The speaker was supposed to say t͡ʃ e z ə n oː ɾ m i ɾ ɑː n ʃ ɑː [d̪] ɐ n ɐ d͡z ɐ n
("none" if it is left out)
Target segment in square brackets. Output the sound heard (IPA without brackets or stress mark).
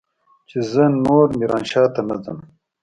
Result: t̪